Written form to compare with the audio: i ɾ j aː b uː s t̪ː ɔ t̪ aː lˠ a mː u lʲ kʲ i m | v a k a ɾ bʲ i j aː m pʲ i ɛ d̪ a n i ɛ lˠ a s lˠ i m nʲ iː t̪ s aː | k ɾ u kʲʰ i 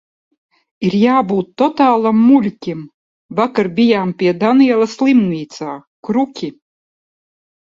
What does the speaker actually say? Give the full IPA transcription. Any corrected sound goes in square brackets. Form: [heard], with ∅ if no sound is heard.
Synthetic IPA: i ɾ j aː b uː [∅] t̪ː ɔ t̪ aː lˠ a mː u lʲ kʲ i m | v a k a ɾ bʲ i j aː m pʲ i ɛ d̪ a n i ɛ lˠ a s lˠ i m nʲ iː t̪ s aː | k ɾ u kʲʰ i